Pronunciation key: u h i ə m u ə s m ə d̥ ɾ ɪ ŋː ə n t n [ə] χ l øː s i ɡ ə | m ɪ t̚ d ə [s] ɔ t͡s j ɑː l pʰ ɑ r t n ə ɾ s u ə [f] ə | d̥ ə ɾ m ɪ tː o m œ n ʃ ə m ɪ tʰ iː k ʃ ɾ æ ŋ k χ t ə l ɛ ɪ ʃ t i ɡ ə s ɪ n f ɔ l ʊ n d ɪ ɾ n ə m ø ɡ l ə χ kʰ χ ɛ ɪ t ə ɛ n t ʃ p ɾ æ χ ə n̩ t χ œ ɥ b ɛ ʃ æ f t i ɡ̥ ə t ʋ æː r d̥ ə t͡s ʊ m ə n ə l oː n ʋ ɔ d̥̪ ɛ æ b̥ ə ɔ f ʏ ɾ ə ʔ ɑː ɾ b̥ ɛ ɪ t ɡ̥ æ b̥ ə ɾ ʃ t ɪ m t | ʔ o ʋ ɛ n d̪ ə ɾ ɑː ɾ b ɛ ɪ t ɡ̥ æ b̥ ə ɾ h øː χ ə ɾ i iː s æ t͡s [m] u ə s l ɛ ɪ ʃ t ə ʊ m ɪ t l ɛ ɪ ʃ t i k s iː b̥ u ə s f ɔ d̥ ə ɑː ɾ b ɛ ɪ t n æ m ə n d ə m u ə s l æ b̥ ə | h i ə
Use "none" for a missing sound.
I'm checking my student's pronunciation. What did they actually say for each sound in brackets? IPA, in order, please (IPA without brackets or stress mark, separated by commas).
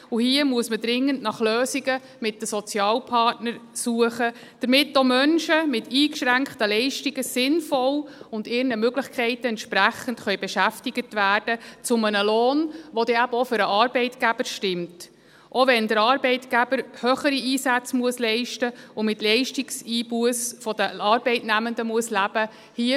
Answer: ɑ, s, χ, m